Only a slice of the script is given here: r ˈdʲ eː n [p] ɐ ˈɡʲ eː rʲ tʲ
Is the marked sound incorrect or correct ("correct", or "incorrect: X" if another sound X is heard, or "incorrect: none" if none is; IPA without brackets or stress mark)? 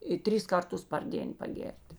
correct